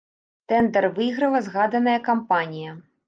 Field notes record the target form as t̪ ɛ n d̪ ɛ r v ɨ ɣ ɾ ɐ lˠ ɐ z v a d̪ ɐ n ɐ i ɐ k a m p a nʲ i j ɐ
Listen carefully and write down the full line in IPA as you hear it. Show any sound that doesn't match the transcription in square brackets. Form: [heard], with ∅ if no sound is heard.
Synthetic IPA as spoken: t̪ ɛ n d̪ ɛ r v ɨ ɣ ɾ ɐ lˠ ɐ z [ɣ] a d̪ ɐ n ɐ [j] ɐ k a m p a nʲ i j ɐ